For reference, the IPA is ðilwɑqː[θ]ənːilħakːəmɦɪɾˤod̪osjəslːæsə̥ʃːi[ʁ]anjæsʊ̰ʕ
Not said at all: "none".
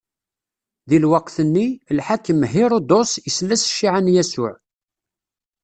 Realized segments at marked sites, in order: θ, ʕ

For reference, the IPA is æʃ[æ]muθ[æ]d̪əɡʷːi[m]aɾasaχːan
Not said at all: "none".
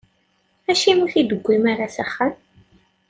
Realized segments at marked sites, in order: i, i, m

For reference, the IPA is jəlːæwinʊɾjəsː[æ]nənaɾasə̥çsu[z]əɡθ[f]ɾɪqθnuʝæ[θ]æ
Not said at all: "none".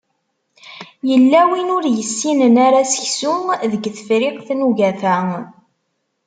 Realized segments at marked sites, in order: i, ð, f, θ

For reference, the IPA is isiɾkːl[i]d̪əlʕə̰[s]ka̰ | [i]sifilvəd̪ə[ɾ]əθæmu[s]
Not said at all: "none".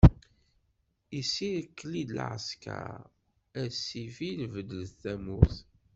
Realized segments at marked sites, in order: i, s, æ, l, θ

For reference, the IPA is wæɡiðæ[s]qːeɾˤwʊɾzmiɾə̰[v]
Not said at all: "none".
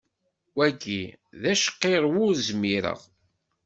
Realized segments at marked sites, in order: ʃ, ʁ

